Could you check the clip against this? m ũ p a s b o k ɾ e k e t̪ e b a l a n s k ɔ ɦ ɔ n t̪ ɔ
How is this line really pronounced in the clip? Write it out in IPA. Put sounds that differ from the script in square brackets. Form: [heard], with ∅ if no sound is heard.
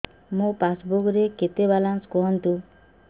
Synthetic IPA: m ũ p a s b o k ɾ e k e t̪ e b a l a n s k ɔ ɦ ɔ n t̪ [u]